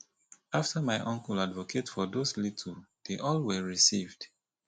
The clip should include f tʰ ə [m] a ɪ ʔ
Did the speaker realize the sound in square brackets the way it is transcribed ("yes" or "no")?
yes